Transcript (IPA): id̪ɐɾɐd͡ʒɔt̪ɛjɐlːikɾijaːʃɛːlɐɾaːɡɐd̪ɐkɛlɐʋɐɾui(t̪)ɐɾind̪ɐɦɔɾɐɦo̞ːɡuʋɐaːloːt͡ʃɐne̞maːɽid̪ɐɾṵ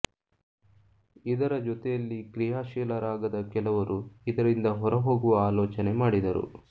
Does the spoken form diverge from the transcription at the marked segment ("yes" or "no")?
yes